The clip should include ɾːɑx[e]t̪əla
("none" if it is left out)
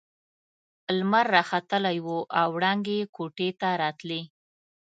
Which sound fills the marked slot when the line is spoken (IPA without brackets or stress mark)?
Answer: a